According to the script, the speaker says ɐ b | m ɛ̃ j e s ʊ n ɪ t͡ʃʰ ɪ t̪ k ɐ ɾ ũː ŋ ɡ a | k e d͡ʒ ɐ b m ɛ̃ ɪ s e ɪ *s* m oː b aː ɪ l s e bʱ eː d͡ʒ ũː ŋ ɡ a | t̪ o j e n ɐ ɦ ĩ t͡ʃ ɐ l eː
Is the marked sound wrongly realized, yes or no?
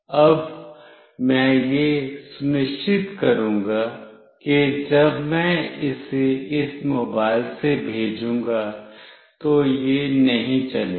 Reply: no